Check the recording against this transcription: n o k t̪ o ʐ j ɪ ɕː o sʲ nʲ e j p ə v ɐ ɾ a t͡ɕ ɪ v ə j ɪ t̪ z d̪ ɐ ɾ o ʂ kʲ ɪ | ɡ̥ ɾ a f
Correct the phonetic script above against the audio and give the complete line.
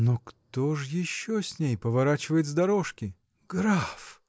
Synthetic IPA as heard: n o k t̪ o ʐ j ɪ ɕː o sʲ nʲ e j p ə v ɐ ɾ a t͡ɕ ɪ v ə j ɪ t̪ z d̪ ɐ ɾ o ʂ kʲ ɪ | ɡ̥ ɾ a f